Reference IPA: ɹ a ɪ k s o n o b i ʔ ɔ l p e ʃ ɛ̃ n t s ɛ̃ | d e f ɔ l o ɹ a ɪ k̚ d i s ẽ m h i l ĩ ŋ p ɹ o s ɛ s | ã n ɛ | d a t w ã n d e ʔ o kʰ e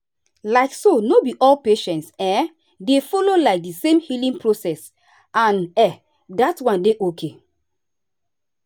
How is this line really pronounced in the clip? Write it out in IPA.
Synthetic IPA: l a ɪ k s o n o b i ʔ ɔ l p e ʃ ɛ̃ n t s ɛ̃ | d e f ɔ l o l a ɪ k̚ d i s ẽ m h i l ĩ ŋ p ɹ o s ɛ s | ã n ɛ | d a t w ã n d e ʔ o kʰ e

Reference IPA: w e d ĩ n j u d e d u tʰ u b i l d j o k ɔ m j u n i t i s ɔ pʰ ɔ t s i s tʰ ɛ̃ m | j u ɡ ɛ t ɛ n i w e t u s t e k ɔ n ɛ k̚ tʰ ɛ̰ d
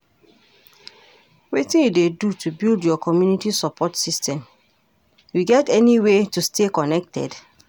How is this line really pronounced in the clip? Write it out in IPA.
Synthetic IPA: w e t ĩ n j u d e d u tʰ u b i l d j ɔ k ɔ m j u n i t i s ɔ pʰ ɔ t s i s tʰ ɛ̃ m | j u ɡ ɛ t ɛ n i w e t u s t e k ɔ n ɛ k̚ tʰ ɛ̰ d

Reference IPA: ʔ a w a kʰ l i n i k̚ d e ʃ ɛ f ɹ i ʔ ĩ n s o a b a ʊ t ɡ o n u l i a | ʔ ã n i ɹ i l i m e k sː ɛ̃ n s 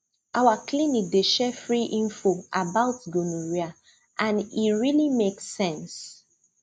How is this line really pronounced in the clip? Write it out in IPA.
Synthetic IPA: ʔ a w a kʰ l i n i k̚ d e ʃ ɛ f ɹ i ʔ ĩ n f o a b a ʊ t ɡ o n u ɹ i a | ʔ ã n i ɹ i l i m e k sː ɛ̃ n s

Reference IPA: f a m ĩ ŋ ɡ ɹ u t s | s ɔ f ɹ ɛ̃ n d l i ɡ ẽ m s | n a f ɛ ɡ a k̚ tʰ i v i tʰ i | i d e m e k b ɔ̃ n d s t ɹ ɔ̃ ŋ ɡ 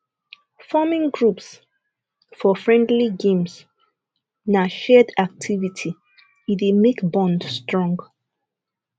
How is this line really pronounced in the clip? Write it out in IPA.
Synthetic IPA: f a m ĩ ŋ ɡ ɹ u p s | f ɔ f ɹ ɛ̃ n d l i ɡ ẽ m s | n a ʃ ɛ d a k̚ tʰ i v i tʰ i | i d e m e k b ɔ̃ n d s t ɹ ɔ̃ ŋ ɡ

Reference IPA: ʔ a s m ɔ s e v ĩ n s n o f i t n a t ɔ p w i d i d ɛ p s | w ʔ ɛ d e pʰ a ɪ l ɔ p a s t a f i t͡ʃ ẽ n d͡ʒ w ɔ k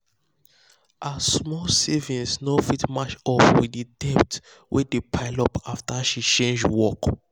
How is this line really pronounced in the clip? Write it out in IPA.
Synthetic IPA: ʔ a s m ɔ s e v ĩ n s n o f i t m a t͡ʃ ɔ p w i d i d ɛ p t | w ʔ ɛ d e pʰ a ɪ l ɔ p a f t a ʃ i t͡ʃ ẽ n d͡ʒ w ɔ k

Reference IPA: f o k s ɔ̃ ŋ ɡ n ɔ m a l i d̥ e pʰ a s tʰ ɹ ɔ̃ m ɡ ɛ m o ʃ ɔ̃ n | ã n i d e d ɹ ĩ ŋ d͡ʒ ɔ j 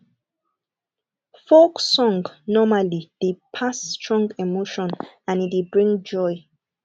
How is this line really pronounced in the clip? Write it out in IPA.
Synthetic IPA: f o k s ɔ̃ ŋ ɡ n ɔ m a l i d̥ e pʰ a s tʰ ɹ ɔ̃ ŋ ɡ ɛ m o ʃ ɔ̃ n | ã n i d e b ɹ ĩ ŋ d͡ʒ ɔ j

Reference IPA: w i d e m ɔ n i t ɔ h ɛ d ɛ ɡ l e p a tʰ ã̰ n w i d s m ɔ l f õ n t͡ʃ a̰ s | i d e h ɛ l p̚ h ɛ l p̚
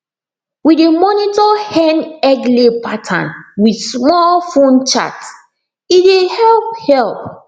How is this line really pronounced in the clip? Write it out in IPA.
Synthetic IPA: w i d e m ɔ n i t ɔ h ɛ n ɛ ɡ l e p a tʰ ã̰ n w i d s m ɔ l f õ n t͡ʃ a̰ t | i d e h ɛ l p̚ h ɛ l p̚

